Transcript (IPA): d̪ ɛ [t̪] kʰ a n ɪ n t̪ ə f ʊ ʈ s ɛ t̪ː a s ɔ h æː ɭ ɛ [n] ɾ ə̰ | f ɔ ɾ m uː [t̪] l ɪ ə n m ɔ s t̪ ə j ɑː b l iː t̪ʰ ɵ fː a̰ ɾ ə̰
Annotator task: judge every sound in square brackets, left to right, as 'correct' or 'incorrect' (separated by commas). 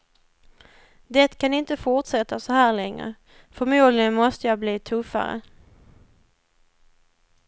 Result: correct, incorrect, incorrect